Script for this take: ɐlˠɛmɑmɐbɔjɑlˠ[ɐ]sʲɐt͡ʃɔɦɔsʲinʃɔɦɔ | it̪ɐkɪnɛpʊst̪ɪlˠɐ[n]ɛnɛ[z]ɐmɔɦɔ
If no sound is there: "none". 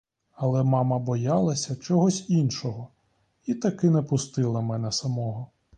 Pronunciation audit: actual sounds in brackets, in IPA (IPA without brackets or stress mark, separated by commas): ɐ, m, s